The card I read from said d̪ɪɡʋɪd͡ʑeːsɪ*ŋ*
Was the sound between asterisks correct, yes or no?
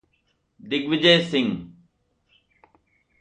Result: yes